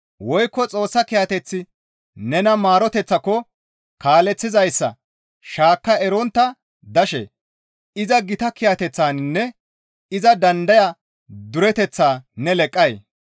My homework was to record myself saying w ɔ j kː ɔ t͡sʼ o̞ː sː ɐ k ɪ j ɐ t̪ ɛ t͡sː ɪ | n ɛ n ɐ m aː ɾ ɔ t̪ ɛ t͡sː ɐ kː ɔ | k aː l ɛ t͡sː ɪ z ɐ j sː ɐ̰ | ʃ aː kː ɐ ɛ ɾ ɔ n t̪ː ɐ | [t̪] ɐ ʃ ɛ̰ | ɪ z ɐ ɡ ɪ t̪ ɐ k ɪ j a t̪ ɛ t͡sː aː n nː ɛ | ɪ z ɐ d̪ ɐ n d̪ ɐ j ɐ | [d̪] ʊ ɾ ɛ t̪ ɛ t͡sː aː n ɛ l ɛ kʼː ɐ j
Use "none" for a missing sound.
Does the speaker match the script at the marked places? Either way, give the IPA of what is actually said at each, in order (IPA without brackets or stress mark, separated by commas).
d̪, d̪